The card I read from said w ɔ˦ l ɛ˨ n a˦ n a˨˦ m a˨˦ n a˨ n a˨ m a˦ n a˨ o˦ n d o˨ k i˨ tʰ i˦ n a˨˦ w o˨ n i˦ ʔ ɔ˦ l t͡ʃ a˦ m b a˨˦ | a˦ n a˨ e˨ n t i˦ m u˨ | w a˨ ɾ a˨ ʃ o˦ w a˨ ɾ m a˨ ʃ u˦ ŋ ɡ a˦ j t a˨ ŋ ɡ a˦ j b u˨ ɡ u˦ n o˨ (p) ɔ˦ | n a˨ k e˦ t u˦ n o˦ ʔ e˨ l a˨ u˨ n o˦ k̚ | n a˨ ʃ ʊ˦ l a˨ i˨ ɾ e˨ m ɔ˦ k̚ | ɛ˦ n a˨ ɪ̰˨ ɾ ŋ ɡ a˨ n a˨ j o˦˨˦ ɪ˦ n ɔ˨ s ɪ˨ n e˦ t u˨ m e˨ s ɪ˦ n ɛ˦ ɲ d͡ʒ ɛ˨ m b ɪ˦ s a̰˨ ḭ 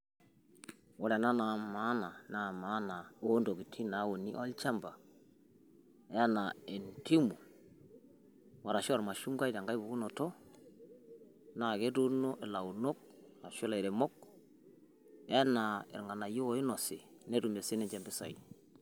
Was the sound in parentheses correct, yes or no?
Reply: no